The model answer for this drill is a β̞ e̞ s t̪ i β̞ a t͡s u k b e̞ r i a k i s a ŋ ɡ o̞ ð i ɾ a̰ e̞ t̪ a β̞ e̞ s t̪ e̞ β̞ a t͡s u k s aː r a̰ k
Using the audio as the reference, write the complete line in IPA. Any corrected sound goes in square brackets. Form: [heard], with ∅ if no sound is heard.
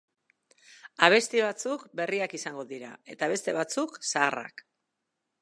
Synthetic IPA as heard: a β̞ e̞ s t̪ i β̞ a t͡s u k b e̞ r i a k i s a ŋ ɡ o̞ ð i ɾ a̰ e̞ t̪ a β̞ e̞ s t̪ e̞ β̞ a t͡s u k s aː r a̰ k